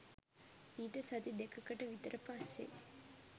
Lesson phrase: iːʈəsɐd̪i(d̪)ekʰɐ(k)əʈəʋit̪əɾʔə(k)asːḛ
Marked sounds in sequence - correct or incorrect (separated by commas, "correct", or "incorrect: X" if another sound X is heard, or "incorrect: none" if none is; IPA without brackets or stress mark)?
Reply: correct, correct, incorrect: p